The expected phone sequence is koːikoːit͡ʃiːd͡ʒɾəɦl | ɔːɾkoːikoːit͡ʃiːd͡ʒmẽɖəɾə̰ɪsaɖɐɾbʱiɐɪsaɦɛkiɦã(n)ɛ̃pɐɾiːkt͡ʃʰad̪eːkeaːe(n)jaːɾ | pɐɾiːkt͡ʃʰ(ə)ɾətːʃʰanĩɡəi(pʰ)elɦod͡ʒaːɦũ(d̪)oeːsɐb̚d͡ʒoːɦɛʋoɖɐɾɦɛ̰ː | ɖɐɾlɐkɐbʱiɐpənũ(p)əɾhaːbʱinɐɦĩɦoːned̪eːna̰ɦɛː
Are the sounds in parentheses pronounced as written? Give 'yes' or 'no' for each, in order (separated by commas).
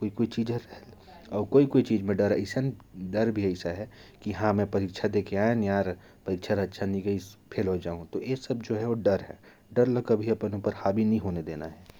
no, yes, no, yes, no, yes